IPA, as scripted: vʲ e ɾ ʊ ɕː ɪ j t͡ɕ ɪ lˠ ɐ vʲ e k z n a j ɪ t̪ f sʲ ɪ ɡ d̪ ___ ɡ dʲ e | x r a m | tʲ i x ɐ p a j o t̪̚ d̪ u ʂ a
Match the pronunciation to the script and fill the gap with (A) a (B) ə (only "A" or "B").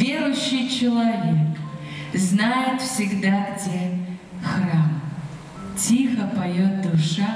A